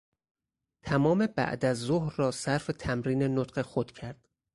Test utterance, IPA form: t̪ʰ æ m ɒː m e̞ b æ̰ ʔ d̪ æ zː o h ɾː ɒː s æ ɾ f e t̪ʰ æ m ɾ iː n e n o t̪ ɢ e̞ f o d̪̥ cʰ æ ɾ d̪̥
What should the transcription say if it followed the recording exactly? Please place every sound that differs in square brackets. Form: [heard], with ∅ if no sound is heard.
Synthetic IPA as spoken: t̪ʰ æ m ɒː m e̞ b æ̰ ʔ d̪ æ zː o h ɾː ɒː s æ ɾ f e t̪ʰ æ m ɾ iː n e n o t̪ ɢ e̞ [x] o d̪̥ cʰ æ ɾ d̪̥